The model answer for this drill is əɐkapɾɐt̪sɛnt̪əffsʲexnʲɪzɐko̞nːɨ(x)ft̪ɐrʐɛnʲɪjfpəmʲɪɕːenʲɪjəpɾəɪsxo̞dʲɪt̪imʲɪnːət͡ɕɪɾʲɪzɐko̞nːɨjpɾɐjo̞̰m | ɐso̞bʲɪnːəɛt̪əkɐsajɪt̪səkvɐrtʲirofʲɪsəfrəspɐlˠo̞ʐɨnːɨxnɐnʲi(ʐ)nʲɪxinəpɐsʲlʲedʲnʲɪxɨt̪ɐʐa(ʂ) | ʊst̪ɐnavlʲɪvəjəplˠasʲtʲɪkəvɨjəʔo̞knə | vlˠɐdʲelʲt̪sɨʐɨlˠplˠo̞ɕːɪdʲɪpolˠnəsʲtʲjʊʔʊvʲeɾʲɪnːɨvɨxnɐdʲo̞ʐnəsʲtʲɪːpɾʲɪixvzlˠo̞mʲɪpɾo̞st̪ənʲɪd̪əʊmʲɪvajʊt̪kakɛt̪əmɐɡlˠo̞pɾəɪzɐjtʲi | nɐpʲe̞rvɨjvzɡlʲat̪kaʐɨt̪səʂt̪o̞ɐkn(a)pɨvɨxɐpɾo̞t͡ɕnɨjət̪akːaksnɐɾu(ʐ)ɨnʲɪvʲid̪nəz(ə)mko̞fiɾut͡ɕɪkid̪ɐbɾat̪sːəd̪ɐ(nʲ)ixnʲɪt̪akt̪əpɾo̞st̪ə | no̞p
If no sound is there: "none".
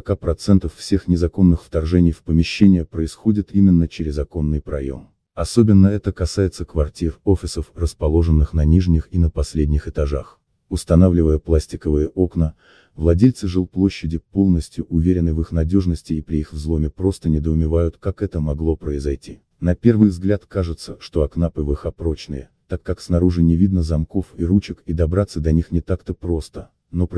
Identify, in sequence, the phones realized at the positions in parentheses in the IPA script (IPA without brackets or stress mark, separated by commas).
x, ʐ, x, a, ʐ, ɐ, nʲ